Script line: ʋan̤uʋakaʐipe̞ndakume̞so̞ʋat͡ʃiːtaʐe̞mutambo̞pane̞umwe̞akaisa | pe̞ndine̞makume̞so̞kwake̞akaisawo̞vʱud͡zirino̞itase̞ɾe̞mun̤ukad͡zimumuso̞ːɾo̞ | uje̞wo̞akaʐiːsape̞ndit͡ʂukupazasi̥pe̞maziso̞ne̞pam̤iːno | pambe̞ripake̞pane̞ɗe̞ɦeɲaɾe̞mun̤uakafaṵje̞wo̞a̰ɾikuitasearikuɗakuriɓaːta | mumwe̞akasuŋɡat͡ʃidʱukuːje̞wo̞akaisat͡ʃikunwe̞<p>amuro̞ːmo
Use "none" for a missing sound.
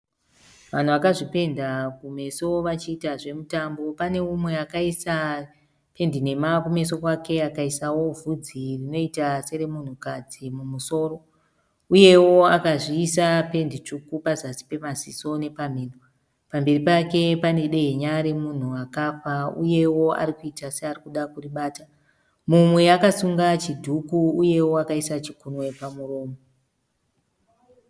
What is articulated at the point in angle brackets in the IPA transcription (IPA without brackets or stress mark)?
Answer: p